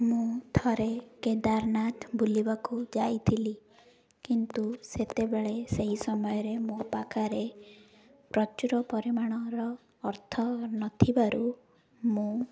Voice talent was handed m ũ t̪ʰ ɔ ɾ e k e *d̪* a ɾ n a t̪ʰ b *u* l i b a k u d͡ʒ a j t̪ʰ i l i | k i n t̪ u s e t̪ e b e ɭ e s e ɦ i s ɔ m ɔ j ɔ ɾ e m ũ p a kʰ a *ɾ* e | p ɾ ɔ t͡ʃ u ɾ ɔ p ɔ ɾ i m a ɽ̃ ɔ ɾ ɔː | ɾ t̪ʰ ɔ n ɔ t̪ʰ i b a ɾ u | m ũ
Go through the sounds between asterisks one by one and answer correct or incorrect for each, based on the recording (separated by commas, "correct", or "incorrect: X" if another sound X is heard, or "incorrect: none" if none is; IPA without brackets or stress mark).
correct, correct, correct